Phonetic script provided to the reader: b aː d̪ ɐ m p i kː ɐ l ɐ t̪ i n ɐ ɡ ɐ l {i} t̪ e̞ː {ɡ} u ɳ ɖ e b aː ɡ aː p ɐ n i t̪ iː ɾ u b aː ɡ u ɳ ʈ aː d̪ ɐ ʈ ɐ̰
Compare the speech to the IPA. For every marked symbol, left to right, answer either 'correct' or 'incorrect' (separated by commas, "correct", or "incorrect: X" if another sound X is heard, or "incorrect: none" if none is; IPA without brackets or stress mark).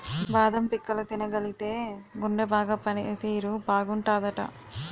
correct, correct